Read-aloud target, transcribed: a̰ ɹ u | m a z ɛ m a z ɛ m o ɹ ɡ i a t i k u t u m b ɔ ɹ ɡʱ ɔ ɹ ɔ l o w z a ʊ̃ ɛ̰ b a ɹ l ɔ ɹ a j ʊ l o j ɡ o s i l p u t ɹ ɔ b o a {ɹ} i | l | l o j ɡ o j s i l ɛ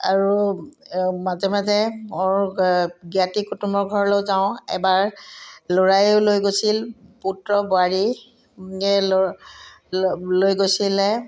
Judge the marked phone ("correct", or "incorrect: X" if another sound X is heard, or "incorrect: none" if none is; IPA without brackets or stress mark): correct